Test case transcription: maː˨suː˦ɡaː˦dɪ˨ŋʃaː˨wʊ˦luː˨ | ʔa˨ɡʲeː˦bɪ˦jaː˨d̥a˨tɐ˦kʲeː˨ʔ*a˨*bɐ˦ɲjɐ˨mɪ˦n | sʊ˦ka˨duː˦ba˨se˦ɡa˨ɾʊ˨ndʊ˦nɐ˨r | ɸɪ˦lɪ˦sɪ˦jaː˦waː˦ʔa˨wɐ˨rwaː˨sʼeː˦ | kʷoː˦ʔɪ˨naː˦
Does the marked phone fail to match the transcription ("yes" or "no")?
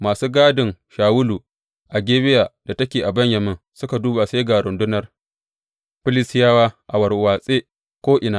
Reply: no